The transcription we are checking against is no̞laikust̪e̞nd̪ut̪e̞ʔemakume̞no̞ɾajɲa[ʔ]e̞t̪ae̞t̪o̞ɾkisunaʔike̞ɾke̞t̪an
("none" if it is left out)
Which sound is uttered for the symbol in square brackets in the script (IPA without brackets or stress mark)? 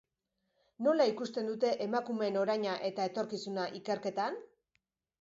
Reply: ʔ